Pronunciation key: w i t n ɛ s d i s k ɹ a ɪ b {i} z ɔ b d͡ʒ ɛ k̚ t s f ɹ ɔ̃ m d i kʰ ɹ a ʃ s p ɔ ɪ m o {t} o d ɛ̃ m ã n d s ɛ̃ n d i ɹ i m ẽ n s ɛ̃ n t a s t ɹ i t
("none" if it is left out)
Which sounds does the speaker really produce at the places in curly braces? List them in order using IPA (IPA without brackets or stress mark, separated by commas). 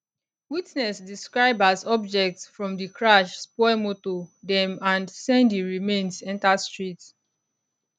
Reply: a, t